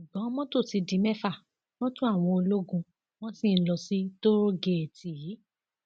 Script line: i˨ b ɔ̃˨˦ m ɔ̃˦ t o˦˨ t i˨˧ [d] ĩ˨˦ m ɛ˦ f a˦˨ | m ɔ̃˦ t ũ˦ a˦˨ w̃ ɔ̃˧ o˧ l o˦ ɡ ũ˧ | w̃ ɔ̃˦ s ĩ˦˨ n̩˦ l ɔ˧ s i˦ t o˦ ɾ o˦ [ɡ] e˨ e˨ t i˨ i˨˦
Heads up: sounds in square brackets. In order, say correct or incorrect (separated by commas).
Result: correct, correct